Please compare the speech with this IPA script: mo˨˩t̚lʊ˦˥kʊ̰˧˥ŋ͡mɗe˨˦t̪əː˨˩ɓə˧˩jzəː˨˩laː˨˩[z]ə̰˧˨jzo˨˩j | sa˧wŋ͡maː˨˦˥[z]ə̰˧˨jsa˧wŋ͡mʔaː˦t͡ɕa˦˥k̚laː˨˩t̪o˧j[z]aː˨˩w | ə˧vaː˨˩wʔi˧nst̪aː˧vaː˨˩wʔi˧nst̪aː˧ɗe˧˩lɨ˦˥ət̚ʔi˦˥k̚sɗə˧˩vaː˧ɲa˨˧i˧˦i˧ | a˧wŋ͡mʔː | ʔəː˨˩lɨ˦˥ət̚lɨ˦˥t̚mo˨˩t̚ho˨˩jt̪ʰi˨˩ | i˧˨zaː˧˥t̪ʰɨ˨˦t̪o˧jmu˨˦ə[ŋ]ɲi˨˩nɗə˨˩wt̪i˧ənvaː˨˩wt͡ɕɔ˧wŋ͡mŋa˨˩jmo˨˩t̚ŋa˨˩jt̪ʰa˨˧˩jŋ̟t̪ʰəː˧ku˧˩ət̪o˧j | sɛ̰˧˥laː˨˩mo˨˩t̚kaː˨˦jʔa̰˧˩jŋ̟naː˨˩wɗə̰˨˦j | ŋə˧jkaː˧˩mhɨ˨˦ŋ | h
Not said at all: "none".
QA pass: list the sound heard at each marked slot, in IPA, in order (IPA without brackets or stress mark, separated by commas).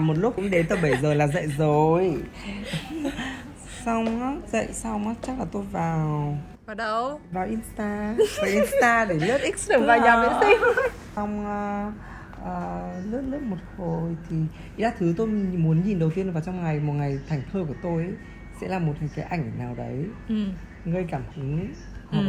z, z, v, n